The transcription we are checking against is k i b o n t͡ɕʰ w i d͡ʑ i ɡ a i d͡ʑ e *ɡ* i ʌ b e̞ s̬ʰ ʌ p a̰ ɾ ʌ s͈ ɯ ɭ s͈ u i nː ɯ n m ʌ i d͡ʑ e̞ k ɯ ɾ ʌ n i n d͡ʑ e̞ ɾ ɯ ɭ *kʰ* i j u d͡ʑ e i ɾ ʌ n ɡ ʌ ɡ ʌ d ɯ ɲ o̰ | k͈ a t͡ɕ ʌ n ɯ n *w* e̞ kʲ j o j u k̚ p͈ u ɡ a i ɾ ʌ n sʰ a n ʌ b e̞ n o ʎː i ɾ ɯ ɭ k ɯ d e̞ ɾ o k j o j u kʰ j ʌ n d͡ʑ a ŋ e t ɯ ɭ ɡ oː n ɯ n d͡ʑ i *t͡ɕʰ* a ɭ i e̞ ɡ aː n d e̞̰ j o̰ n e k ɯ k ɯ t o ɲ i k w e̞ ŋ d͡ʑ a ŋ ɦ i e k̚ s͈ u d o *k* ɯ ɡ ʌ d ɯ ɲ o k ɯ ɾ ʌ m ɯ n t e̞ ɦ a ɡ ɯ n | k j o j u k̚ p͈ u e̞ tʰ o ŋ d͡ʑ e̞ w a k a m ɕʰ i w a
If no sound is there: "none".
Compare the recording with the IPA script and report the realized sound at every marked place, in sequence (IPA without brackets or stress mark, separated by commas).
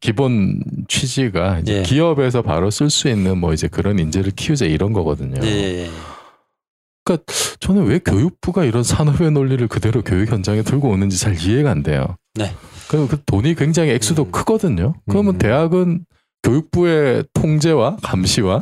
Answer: k, kʰ, w, t͡ɕ, kʰ